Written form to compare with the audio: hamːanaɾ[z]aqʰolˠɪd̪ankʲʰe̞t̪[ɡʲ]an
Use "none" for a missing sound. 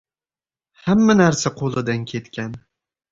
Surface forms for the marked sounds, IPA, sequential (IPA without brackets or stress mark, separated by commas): s, kʲ